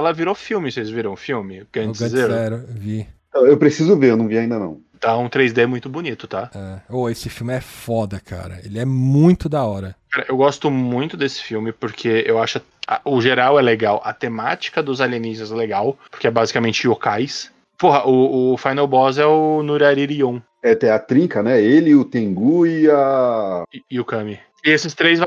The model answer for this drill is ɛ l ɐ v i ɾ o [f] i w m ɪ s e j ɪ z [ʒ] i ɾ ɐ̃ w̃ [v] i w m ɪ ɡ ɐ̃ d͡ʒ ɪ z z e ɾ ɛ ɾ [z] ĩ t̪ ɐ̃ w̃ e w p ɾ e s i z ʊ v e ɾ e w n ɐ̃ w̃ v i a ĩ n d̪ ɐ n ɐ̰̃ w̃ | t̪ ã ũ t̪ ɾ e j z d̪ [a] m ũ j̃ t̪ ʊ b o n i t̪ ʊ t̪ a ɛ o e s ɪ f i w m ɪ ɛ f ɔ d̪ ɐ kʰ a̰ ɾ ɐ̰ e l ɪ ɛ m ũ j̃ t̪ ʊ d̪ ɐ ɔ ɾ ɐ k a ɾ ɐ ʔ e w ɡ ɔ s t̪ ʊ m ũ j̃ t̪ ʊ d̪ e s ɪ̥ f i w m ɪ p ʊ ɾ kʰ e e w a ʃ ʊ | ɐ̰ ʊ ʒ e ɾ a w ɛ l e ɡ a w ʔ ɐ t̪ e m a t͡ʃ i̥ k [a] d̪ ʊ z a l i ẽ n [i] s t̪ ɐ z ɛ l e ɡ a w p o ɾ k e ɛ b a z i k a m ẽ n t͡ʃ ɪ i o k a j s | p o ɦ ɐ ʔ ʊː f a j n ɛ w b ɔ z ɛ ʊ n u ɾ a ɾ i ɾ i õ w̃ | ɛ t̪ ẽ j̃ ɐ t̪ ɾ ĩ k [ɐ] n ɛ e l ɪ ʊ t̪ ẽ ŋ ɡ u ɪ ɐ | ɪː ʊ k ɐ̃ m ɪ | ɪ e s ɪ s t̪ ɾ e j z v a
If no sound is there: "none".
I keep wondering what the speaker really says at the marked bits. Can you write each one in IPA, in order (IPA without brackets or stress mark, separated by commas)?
f, v, f, v, e, ɐ, i, ɐ